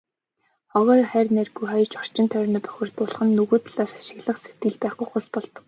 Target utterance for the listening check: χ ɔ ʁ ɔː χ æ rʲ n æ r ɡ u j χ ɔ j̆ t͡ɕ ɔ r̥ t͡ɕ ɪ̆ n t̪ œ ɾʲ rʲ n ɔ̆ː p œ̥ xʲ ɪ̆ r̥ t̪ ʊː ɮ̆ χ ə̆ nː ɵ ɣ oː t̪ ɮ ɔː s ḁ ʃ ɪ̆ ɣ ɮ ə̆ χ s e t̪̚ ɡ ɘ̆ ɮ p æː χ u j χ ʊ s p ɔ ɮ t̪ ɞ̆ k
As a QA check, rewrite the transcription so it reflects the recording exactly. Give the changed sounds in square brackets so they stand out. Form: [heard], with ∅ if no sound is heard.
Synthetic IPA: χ ɔ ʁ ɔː χ æ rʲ n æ r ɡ u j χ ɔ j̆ t͡ɕ ɔ r̥ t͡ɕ ɪ̆ n [t̪ʰ] œ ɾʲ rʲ n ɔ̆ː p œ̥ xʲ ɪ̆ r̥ t̪ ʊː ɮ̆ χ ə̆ nː ɵ ɣ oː t̪ ɮ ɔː s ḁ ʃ ɪ̆ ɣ ɮ ə̆ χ s e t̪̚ ɡ ɘ̆ ɮ p æː χ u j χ ʊ s p ɔ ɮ t̪ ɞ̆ k